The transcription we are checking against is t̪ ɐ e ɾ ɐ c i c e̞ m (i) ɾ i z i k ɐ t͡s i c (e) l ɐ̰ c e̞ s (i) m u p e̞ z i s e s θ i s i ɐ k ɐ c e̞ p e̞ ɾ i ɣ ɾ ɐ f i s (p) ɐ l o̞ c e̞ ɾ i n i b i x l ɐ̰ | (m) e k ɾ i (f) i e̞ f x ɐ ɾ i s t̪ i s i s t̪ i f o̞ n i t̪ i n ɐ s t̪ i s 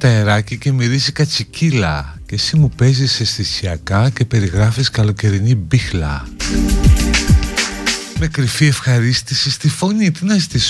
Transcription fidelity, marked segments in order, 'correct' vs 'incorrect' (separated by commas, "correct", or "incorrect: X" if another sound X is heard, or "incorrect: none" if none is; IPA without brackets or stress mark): correct, incorrect: i, correct, incorrect: k, correct, correct